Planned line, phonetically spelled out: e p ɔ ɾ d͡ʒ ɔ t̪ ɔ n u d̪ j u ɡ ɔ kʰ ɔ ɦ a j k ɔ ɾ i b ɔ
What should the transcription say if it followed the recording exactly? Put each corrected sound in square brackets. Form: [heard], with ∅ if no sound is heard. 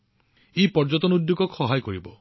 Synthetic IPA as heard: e p ɔ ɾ d͡ʒ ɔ t̪ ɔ n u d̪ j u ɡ ɔ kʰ ɔ ɦ a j k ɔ ɾ i b ɔ